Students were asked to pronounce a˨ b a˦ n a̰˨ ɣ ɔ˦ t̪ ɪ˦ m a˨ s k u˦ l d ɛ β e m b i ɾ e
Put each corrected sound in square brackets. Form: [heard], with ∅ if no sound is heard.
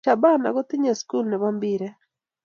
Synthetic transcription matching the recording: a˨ b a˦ n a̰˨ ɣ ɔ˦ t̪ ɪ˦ [ɲ] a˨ s k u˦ l [n] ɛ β [a] m b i ɾ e